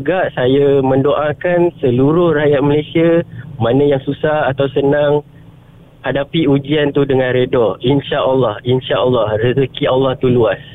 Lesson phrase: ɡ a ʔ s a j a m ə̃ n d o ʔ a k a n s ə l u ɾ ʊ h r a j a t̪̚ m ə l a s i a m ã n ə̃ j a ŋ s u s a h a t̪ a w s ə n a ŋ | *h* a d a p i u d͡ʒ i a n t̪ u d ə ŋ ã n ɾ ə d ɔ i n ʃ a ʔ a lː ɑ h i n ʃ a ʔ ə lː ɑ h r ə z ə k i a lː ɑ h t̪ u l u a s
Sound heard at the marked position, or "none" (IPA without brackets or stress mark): h